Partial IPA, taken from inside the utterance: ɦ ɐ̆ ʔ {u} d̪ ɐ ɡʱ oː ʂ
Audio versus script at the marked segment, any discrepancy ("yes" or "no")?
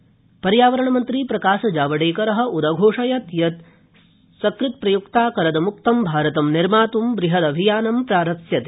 no